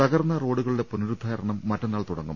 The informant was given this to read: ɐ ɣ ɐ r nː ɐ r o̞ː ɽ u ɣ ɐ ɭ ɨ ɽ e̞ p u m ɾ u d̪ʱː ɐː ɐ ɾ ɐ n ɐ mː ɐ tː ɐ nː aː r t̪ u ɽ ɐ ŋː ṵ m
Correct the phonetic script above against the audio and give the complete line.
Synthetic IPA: ɐ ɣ ɐ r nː ɐ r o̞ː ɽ u ɣ ɐ ɭ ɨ ɽ e̞ p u n ɾ u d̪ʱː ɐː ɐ ɾ ɐ ɳ ɐ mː ɐ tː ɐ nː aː ɭ t̪ u ɽ ɐ ŋː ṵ m